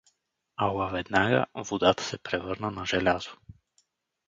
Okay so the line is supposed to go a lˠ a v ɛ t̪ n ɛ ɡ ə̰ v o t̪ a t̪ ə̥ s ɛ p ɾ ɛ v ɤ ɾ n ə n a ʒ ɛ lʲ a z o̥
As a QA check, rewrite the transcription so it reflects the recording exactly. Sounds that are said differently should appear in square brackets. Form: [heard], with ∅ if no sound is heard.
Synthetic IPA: a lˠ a v ɛ [d̪] n [a] ɡ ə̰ v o [d̪] a t̪ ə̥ s ɛ p ɾ ɛ v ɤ ɾ n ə n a ʒ ɛ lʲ a z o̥